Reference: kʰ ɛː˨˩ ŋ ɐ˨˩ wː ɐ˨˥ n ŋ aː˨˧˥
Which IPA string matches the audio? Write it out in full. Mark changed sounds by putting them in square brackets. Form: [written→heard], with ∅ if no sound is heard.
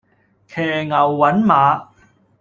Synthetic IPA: kʰ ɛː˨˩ ŋ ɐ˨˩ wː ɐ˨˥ n [ŋ→m] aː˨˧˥